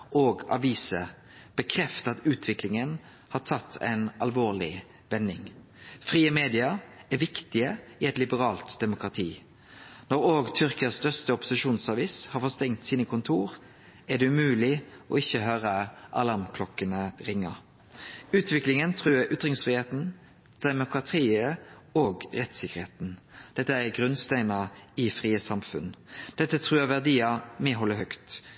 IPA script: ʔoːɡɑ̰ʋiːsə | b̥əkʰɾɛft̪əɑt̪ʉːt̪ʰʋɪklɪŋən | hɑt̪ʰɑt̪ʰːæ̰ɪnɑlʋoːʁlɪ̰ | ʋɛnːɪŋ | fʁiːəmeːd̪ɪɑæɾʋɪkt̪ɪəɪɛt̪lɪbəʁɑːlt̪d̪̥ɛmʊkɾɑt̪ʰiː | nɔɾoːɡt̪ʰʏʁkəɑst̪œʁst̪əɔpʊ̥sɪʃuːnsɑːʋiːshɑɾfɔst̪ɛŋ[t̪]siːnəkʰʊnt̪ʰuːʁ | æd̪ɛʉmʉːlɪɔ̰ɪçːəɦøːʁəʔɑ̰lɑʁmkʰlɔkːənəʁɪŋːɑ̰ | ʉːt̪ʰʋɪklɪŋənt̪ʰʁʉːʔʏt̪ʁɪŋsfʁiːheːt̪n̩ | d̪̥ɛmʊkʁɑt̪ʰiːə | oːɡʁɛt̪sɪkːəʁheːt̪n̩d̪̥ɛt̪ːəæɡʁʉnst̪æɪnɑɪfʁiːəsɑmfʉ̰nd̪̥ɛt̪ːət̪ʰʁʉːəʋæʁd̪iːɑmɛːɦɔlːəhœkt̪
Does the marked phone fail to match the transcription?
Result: no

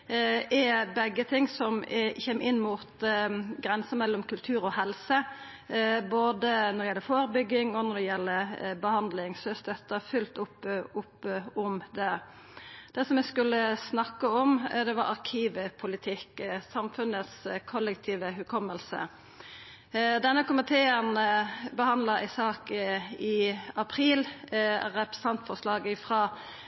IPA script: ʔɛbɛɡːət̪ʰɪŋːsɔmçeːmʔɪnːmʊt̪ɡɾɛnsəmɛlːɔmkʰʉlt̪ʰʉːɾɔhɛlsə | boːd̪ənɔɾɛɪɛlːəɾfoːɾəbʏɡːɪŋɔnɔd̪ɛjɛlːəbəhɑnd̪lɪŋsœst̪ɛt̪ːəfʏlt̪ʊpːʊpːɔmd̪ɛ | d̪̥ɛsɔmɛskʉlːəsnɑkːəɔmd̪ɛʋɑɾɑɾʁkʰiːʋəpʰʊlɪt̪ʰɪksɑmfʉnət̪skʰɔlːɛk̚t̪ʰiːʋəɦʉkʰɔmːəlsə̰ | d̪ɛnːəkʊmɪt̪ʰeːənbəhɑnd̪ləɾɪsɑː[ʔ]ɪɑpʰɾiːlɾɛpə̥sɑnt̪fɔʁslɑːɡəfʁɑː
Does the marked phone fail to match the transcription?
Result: yes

